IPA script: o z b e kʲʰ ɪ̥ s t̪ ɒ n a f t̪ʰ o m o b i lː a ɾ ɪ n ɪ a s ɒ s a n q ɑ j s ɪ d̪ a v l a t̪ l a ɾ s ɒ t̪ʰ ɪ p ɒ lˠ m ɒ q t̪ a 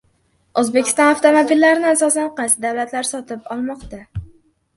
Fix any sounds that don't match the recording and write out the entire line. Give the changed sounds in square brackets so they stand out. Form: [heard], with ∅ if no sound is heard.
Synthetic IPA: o z b e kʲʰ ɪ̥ s t̪ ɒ n a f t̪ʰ o m o b i lː a ɾ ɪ n ɪ a s ɒ s a n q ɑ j s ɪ d̪ a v l a t̪ l a ɾ s ɒ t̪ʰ ɪ p ɒ lˠ m ɒ q t̪ a